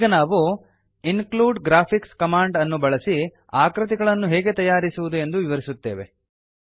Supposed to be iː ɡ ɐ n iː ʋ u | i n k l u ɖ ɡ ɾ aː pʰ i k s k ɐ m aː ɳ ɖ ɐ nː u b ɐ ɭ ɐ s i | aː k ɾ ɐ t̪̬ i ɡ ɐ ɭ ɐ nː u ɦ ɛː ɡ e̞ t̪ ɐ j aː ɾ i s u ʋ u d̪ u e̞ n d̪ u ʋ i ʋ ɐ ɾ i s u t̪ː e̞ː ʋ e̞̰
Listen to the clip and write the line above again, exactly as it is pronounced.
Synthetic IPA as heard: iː ɡ ɐ n aː ʋ u | i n k l uː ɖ ɡ ɾ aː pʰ i k s k ɐ m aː ɳ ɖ ɐ nː u b ɐ ɭ ɐ s i | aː k ɾ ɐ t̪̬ i ɡ ɐ ɭ ɐ nː u ɦ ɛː ɡ e̞ t̪ ɐ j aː ɾ i s u ʋ u d̪ u e̞ n d̪ u ʋ i ʋ ɐ ɾ i s u t̪ː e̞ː ʋ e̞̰